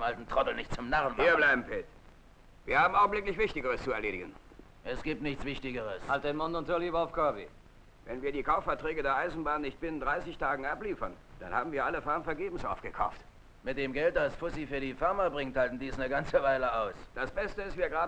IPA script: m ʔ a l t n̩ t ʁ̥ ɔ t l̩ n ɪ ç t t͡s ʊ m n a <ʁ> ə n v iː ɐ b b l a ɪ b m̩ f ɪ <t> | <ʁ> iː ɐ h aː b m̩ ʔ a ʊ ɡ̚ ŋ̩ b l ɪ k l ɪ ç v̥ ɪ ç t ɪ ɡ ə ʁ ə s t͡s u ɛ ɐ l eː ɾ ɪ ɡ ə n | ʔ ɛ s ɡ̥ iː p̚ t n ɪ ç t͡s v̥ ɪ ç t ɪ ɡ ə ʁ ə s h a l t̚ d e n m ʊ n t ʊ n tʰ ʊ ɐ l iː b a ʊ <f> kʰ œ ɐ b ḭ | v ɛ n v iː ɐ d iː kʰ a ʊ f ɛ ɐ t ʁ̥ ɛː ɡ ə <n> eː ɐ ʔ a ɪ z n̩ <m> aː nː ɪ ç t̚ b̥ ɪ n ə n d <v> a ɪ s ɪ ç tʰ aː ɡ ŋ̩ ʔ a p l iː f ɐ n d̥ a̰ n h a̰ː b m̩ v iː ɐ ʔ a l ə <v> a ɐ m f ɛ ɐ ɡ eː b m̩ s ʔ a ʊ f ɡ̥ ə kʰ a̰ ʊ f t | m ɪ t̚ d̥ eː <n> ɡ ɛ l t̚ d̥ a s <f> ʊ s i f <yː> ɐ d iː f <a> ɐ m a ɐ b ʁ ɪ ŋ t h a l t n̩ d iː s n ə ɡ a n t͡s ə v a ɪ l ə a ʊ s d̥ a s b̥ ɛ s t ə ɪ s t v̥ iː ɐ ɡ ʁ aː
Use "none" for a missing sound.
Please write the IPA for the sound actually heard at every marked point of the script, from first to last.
ʁ, t, v, f, d, b, ʁ, f, m, f, yː, a

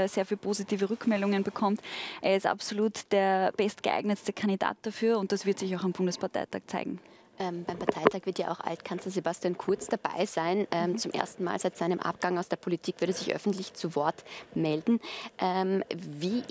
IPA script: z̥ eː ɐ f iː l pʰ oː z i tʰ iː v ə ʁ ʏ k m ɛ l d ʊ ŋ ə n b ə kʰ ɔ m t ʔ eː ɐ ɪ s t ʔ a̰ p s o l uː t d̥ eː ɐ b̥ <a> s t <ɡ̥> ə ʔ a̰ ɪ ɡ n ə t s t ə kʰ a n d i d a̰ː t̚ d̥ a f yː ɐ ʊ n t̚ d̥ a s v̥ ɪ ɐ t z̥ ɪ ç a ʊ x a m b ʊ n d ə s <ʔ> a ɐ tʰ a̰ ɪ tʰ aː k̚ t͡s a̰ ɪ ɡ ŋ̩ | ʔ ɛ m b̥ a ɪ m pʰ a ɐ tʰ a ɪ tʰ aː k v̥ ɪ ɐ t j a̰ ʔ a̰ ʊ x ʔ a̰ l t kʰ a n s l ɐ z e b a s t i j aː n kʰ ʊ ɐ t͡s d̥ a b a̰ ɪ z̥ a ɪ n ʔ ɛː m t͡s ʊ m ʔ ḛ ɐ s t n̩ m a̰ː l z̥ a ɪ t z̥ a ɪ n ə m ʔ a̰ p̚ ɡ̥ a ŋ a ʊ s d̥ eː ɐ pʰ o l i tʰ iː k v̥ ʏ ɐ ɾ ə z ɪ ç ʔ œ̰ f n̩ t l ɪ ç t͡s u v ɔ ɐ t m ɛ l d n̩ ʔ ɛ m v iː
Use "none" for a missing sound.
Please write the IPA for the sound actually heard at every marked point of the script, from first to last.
ɛ, ɡ̥, p

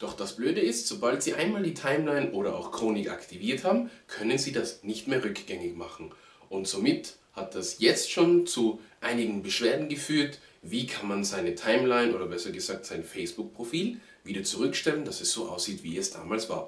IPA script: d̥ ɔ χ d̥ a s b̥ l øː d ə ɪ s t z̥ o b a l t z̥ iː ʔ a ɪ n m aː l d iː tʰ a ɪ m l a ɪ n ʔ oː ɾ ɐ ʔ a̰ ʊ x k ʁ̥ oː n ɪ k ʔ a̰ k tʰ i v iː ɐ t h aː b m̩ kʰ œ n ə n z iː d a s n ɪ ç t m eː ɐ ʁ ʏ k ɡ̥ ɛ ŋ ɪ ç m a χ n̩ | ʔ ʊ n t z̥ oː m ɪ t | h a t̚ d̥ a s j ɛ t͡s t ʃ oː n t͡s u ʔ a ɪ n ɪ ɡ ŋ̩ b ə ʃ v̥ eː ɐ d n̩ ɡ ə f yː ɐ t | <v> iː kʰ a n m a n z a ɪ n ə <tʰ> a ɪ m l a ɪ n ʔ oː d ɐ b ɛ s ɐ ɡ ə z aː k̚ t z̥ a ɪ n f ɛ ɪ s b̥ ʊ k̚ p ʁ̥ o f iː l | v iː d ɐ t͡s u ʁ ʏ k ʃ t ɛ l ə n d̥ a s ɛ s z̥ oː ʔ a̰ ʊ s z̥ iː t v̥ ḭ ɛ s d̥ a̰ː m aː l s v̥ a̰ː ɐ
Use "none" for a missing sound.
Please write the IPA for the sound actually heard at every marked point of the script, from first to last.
v, tʰ

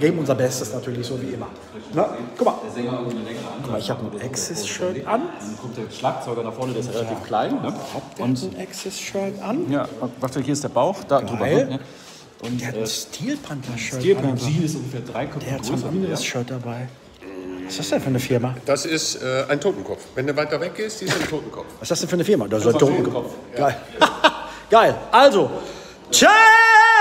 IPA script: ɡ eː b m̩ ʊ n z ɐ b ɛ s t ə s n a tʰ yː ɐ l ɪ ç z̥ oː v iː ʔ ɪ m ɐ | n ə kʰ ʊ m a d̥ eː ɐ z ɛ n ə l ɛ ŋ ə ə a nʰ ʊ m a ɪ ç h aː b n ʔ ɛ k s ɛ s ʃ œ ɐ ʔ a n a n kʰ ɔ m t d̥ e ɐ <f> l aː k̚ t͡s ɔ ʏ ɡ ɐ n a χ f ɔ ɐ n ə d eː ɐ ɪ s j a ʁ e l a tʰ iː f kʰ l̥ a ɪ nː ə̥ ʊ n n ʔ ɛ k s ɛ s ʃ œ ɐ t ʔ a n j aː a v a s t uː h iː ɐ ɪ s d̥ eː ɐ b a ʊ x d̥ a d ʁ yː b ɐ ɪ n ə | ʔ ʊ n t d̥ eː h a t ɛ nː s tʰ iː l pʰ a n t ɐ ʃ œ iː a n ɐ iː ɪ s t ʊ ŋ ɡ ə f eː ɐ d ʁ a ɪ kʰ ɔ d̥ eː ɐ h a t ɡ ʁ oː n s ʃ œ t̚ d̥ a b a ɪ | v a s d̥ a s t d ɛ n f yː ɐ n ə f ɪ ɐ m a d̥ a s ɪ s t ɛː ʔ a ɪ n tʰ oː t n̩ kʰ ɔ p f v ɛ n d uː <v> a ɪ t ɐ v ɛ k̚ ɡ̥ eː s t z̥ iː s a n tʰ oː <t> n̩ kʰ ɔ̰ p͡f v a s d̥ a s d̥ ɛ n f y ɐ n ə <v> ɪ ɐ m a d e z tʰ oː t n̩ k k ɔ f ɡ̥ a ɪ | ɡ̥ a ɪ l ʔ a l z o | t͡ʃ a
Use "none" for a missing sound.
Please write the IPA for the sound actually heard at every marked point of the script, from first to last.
ʃ, v, t, f

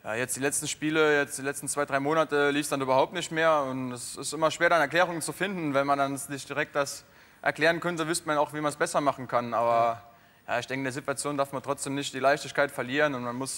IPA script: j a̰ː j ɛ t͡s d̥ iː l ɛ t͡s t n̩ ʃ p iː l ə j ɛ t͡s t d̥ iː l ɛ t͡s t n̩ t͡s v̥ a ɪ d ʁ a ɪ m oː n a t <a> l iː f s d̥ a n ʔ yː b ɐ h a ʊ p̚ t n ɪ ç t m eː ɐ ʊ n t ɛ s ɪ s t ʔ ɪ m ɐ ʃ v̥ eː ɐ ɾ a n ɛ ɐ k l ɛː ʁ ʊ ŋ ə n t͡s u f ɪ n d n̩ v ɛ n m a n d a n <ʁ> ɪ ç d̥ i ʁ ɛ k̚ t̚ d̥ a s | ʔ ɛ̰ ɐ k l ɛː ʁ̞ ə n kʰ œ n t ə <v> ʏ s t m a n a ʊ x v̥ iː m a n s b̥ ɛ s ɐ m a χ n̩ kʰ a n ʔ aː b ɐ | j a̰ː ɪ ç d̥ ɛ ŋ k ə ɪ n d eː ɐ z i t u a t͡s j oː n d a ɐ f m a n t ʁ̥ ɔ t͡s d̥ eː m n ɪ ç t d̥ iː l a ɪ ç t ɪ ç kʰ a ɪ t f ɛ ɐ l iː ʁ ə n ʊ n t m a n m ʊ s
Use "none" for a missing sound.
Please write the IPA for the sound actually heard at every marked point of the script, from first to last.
ə, z, v

